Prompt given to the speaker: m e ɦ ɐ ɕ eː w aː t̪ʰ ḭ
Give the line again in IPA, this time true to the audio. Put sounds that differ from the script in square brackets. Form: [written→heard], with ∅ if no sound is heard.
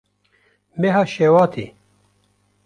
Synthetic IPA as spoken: m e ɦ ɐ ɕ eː w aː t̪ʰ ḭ